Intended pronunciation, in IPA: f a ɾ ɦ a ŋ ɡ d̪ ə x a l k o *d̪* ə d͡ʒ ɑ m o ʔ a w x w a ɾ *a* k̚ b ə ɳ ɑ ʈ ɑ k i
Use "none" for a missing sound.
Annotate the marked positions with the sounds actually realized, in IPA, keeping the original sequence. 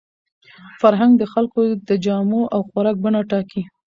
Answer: d̪, ɑ

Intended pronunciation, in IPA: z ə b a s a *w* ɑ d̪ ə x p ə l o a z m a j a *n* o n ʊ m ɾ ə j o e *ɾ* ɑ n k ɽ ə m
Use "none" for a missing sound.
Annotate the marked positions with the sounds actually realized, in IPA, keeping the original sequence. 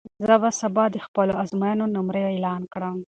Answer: b, n, l

